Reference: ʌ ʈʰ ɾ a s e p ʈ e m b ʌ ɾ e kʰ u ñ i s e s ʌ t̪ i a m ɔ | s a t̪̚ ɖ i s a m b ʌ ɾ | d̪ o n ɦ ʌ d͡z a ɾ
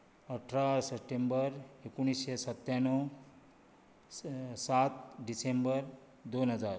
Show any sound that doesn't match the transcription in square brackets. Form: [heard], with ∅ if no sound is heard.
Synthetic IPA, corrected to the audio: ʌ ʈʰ ɾ a s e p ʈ e m b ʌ ɾ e [k] u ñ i s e s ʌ t̪ [j] a [n] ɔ | s a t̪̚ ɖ i s [e] m b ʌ ɾ | d̪ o n ɦ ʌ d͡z a ɾ